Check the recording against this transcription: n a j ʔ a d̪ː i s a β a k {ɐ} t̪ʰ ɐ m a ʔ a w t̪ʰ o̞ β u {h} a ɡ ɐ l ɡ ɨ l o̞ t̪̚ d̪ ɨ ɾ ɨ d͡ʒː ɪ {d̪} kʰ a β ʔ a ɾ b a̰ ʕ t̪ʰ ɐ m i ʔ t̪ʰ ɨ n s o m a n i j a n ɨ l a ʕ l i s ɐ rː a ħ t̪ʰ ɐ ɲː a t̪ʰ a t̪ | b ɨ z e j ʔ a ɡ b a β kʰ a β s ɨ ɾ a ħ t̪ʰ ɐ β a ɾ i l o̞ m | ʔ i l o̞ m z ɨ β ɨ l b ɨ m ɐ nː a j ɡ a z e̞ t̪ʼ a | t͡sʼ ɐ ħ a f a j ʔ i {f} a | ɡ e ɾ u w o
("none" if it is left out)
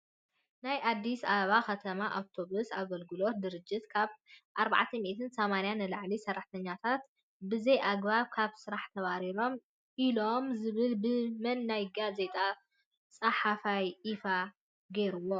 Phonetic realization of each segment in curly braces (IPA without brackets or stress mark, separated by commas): ɐ, s, t̪, f